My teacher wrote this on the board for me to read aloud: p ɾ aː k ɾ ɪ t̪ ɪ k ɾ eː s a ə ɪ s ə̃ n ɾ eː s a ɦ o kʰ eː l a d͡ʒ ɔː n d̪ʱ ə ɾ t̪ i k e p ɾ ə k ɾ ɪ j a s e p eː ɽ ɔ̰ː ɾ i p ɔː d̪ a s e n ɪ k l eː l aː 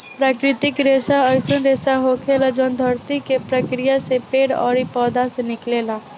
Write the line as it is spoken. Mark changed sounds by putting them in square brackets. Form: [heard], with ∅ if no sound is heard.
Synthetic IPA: p ɾ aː k ɾ ɪ t̪ ɪ k ɾ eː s a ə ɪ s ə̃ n ɾ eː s a ɦ o kʰ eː l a d͡ʒ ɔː n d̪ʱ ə ɾ t̪ i k e p ɾ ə k ɾ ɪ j a s e p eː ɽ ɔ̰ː ɾ i p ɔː d̪ a s e n ɪ k l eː l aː